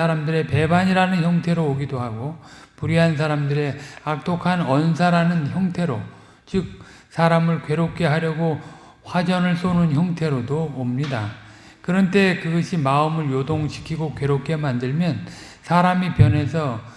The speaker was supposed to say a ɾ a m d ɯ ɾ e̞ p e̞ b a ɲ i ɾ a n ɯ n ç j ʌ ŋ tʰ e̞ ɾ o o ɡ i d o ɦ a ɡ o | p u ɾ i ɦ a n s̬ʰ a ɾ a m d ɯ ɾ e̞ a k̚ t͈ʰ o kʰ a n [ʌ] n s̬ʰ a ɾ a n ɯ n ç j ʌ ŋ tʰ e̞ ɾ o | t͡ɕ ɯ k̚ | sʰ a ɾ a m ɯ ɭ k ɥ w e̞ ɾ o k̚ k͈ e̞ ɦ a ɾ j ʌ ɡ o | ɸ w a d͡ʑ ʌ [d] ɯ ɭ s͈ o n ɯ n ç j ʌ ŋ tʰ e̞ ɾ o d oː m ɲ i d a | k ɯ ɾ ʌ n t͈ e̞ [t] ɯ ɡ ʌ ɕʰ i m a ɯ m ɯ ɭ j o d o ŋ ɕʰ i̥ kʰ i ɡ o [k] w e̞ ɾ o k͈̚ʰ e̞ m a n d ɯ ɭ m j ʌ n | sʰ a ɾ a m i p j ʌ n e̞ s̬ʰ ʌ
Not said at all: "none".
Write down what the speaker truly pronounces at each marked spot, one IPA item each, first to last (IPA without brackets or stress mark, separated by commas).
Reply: ʌ, n, k, k